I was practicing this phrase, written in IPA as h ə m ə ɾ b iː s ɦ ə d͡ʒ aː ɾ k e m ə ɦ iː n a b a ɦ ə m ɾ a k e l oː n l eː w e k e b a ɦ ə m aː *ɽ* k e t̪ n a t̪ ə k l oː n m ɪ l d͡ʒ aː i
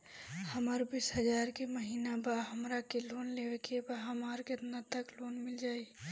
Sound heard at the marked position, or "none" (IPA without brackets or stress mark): ɾ